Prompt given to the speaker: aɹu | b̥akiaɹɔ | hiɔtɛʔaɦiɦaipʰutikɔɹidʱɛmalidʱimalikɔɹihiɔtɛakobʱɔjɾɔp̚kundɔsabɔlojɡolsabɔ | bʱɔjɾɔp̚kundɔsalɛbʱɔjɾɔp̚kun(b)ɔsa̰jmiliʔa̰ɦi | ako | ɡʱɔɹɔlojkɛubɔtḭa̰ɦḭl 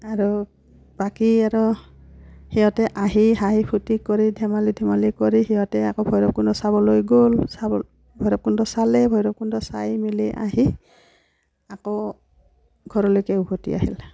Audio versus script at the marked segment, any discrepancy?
yes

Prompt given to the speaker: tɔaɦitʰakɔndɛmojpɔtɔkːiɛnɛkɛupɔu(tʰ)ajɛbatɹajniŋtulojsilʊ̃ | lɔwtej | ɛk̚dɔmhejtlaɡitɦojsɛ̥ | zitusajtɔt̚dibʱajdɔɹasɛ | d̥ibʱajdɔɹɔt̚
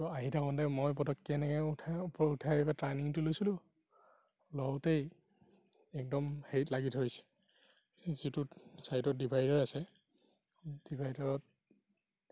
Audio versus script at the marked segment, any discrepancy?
no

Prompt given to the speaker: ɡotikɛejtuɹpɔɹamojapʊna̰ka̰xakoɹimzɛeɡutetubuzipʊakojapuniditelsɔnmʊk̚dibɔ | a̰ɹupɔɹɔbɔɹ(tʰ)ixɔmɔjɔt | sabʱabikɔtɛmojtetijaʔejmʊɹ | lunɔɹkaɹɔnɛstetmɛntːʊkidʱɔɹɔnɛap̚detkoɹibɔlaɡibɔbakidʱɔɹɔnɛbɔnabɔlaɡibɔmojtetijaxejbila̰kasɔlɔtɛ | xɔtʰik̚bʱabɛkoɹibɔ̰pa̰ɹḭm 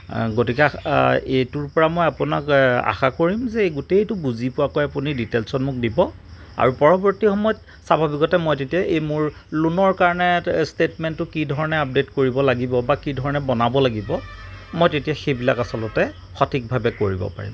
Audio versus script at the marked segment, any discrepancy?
yes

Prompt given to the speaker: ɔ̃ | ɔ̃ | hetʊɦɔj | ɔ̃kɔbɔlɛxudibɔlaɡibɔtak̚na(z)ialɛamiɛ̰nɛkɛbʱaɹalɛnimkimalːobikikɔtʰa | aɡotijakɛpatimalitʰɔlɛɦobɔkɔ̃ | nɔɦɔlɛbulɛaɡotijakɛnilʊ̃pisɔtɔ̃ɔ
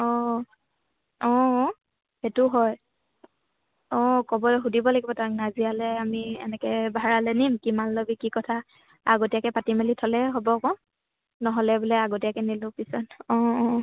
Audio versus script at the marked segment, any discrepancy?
no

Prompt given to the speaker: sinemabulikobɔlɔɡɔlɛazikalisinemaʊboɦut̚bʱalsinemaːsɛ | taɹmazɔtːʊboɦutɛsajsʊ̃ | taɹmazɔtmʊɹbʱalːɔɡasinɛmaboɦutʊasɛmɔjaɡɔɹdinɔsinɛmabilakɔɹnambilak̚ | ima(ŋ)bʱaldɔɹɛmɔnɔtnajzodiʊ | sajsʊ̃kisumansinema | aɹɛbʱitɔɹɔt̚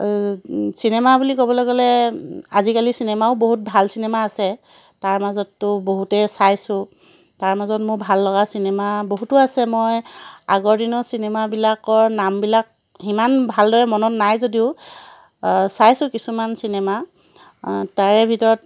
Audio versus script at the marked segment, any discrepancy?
yes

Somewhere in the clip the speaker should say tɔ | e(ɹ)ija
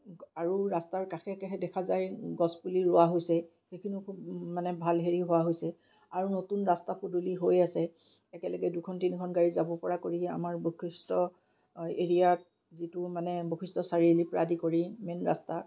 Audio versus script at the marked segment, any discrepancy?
no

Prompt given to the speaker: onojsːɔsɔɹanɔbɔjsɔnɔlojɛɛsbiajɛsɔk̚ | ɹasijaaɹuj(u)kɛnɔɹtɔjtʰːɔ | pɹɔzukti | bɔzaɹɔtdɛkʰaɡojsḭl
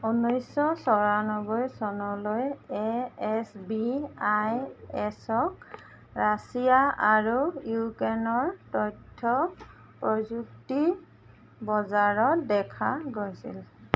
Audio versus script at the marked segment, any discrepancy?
no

